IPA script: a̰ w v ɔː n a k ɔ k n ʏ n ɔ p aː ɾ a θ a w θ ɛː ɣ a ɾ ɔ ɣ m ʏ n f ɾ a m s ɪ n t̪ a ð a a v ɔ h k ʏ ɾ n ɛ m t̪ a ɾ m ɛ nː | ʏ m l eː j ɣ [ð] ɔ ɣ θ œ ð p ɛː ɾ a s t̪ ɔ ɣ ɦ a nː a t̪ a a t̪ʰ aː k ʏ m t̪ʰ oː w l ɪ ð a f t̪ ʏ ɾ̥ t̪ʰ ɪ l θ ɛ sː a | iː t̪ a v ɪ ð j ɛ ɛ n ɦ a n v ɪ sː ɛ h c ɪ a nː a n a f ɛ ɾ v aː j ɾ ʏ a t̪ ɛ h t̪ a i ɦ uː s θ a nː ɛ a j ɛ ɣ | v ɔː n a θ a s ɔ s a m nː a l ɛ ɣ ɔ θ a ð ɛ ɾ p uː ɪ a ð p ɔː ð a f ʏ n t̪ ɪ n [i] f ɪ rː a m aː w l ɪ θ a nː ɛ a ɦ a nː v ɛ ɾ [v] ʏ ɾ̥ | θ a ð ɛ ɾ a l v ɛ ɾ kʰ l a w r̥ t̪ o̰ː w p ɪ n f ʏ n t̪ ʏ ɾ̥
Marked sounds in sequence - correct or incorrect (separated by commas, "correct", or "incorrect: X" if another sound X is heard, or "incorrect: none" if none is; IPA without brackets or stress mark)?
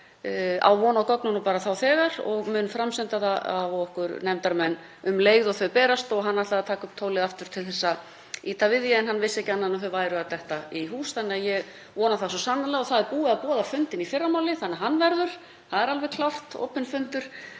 correct, correct, incorrect: ð